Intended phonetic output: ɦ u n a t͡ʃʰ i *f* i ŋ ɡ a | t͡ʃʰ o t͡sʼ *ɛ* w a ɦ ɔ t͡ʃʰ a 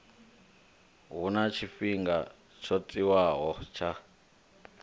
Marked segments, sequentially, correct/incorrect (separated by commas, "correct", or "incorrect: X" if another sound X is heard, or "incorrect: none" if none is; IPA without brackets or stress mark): correct, incorrect: i